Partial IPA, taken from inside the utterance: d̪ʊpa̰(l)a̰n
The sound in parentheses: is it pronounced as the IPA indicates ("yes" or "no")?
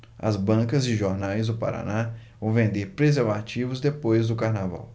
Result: no